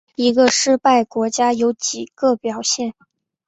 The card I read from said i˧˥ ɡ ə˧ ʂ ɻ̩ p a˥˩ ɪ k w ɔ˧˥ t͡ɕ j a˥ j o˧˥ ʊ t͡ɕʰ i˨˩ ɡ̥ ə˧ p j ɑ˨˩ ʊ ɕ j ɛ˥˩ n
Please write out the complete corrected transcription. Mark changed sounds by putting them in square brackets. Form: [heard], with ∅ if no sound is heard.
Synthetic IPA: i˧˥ ɡ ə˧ ʂ ɻ̩ p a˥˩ ɪ k w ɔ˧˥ t͡ɕ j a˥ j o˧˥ ʊ [t͡ɕ] i˨˩ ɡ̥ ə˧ p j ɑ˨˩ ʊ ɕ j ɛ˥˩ n